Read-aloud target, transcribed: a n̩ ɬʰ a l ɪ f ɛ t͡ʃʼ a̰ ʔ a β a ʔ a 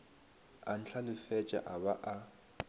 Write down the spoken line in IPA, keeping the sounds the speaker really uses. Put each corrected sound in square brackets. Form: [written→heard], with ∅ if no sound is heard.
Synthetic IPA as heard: a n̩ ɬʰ a l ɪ f ɛ t͡ʃʼ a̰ ʔ a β a ʔ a